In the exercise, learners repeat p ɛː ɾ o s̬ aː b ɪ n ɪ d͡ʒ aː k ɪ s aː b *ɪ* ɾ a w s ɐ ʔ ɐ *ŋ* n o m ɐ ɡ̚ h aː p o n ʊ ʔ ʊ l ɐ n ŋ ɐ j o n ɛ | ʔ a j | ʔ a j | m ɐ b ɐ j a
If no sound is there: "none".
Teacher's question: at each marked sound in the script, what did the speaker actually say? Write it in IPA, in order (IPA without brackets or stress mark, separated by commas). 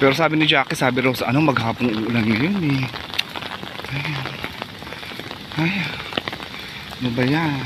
ɪ, none